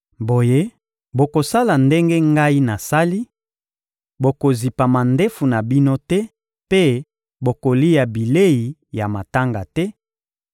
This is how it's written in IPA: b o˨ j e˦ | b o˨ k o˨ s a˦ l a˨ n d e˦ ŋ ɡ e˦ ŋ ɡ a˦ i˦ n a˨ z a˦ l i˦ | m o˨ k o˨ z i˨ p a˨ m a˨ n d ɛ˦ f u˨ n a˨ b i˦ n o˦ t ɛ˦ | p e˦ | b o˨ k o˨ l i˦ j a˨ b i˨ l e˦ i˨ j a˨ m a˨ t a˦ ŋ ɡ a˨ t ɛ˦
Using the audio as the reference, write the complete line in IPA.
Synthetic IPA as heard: b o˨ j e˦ | b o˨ k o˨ s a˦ l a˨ n d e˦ ŋ ɡ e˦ ŋ ɡ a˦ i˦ n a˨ s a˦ l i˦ | b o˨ k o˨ z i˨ p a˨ m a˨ n d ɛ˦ f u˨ n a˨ b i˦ n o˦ t ɛ˦ | p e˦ | b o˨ k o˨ l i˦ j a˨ b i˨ l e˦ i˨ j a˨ m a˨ t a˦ ŋ ɡ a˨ t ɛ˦